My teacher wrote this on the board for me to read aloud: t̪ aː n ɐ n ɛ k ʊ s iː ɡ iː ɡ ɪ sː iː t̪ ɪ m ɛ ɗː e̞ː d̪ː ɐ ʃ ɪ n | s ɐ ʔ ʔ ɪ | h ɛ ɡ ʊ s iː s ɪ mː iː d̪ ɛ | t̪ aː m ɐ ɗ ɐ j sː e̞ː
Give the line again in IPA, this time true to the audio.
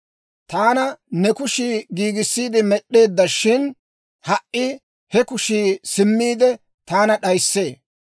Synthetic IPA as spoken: t̪ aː n ɐ n ɛ k ʊ ʃ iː ɡ iː ɡ ɪ sː iː d̪ ɪ m ɛ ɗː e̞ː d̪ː ɐ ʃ ɪ n | h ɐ ʔ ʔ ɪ | h ɛ k ʊ ʃ iː s ɪ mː iː d̪ ɛ | t̪ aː n ɐ ɗ ɐ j sː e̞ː